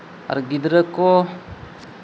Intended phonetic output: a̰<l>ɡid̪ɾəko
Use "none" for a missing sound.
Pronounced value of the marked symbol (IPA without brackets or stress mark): ɾ